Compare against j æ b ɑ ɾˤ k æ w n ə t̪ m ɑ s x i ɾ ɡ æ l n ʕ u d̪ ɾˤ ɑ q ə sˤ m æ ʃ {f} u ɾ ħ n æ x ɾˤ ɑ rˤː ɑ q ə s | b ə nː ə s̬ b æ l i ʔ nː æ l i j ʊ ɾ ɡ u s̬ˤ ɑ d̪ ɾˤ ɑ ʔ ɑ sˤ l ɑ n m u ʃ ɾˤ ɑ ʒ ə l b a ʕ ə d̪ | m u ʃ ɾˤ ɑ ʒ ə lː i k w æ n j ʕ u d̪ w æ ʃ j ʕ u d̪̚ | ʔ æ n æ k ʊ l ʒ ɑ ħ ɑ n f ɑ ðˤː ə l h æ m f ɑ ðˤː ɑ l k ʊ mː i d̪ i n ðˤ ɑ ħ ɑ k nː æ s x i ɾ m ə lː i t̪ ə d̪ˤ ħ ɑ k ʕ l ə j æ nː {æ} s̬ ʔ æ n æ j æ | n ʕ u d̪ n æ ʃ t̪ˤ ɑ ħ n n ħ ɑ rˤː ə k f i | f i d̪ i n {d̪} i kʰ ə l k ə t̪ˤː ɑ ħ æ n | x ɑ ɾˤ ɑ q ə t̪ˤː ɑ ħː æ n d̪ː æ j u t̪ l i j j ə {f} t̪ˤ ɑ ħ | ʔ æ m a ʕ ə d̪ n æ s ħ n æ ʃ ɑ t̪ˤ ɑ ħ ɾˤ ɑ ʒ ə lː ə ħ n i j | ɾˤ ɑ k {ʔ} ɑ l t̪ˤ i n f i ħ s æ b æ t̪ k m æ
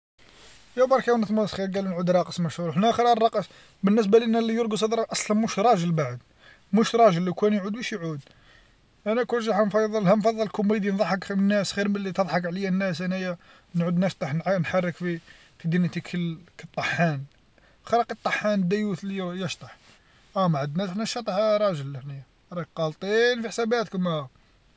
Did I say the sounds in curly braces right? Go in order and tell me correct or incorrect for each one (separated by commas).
incorrect, correct, incorrect, incorrect, incorrect